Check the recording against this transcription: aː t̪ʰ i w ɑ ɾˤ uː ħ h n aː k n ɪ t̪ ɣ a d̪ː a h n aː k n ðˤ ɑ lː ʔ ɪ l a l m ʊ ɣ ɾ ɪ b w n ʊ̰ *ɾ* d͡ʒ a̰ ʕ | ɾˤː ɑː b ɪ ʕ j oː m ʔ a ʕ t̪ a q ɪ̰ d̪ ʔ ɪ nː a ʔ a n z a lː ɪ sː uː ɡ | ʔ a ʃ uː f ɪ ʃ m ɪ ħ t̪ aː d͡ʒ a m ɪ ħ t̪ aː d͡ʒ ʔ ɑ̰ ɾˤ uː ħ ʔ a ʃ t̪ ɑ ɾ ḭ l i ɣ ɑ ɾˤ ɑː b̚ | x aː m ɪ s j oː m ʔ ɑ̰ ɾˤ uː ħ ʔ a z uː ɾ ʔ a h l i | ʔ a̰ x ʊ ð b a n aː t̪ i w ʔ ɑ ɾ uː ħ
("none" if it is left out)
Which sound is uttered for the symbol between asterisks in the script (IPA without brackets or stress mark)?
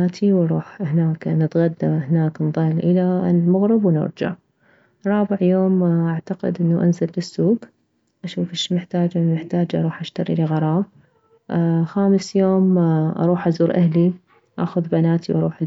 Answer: ɾ